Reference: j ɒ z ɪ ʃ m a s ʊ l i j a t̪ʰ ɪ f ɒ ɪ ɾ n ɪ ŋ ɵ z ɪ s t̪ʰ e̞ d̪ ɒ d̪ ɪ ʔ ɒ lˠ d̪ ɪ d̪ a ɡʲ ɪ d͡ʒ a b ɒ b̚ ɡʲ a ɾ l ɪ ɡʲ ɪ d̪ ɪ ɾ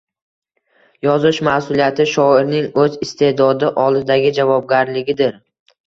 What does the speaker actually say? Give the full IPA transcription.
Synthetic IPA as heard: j ɒ z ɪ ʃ m a s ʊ l i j a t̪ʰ ɪ ʃ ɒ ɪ ɾ n ɪ ŋ ɵ z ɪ s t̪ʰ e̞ d̪ ɒ d̪ ɪ ʔ ɒ lˠ d̪ ɪ d̪ a ɡʲ ɪ d͡ʒ a v ɒ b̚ ɡʲ a ɾ l ɪ ɡʲ ɪ d̪ ɪ ɾ